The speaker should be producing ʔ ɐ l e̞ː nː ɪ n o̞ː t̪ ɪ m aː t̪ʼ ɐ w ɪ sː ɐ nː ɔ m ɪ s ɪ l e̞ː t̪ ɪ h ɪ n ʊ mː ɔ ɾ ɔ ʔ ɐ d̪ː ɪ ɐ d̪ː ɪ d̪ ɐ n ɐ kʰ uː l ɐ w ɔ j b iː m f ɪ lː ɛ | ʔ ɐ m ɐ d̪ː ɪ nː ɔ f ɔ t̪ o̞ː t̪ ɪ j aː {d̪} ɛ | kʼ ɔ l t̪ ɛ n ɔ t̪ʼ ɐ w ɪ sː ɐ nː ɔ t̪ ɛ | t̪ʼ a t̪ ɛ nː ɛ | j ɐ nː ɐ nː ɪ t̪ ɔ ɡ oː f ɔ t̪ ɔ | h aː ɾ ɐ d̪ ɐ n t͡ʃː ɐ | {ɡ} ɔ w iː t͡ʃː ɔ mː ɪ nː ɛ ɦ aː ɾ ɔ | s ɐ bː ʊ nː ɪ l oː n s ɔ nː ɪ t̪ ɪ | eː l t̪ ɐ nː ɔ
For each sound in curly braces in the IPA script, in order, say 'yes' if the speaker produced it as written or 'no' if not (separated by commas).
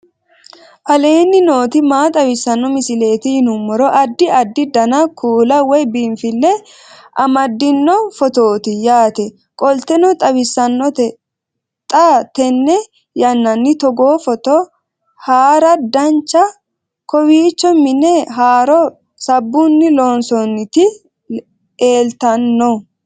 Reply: no, no